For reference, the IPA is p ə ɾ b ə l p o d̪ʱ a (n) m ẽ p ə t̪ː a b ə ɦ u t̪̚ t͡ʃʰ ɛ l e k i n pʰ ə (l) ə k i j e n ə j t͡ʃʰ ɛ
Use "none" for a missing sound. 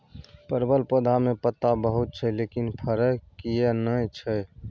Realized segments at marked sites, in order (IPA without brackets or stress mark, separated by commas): none, ɾ